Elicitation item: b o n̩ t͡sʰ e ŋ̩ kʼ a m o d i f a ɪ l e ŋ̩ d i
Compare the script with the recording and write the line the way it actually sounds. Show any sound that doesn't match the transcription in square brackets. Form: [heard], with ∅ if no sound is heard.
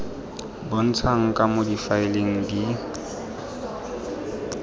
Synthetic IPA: b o n̩ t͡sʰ [a] ŋ̩ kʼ a m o d i f a ɪ l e ŋ̩ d i

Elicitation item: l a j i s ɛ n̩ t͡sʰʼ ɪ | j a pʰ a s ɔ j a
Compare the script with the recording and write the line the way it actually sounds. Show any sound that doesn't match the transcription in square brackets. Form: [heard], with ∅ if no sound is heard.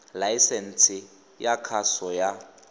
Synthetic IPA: l a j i s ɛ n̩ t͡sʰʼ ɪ | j a [kʰ] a s ɔ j a

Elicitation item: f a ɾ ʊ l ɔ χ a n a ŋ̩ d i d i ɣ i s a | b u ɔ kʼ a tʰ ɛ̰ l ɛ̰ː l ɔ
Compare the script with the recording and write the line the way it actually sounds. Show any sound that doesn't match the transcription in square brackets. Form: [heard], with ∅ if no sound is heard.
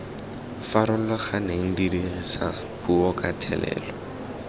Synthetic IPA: f a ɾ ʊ l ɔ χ a n [e] ŋ̩ d i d i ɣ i s a | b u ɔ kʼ a tʰ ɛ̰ l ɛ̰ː l ɔ

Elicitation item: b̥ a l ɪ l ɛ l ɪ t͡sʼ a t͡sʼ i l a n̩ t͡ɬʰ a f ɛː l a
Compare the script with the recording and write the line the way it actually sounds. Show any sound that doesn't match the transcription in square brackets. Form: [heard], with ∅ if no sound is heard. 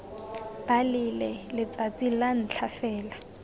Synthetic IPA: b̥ a l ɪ l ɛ l ɪ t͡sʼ a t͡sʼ i l a n̩ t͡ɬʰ a f ɛː l a

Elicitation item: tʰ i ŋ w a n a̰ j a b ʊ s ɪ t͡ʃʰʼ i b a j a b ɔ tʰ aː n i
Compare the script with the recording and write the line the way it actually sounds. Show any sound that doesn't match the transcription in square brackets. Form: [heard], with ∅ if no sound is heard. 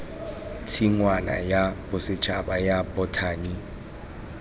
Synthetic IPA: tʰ i ŋ w a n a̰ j a b ʊ s ɪ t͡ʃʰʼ [a] b a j a b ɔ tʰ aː n i

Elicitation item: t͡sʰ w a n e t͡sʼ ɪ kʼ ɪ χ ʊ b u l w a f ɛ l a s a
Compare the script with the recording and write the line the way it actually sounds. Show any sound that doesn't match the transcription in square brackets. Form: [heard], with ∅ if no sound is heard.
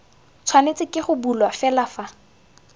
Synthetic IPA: t͡sʰ w a n e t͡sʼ ɪ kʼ ɪ χ ʊ b u l w a f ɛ l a [f] a

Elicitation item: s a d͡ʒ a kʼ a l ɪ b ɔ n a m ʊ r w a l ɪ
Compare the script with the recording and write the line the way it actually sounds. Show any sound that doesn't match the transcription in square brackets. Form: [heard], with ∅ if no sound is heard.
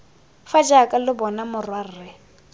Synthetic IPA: [f] a d͡ʒ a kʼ a l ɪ b ɔ n a m ʊ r w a [r] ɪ

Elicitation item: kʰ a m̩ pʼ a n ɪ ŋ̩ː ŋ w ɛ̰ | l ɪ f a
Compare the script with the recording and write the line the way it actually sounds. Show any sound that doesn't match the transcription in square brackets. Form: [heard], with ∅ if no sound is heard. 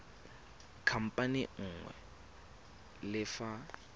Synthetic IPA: kʰ a m̩ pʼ a n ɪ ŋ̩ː ŋ w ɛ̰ | l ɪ f a

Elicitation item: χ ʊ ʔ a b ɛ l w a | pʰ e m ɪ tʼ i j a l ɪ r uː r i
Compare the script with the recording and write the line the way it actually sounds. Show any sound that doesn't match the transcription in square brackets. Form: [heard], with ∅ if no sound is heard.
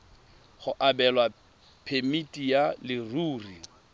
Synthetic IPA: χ ʊ ʔ a b ɛ l w a | pʰ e m [i] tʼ i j a l ɪ r uː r i

